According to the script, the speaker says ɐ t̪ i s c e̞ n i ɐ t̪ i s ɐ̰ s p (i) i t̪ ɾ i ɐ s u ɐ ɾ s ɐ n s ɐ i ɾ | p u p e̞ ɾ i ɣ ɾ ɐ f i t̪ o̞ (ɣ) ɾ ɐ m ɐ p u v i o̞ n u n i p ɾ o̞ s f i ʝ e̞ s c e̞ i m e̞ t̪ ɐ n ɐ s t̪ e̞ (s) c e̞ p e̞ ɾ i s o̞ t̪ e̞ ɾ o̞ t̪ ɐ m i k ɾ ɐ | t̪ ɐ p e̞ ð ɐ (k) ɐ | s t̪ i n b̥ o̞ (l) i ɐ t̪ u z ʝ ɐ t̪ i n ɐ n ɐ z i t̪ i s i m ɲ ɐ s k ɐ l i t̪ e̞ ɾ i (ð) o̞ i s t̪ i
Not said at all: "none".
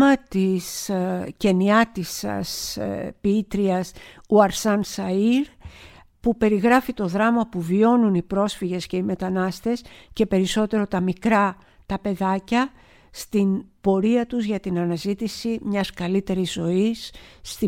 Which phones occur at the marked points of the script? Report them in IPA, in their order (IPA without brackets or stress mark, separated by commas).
i, ð, s, c, ɾ, z